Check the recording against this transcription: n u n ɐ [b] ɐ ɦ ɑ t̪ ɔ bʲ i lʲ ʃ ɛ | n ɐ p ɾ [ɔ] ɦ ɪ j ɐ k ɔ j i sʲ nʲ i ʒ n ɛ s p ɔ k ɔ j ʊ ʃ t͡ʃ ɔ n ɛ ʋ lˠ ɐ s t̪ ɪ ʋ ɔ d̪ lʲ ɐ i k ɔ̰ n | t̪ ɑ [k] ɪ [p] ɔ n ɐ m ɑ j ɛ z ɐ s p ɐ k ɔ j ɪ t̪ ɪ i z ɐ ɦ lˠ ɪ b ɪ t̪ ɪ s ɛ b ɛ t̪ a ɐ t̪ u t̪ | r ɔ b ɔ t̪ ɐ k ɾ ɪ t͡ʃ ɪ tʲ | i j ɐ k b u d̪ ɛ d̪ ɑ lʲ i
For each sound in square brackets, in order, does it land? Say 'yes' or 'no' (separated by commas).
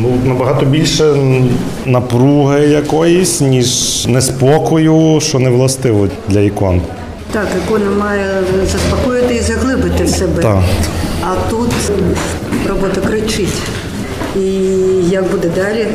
yes, no, yes, no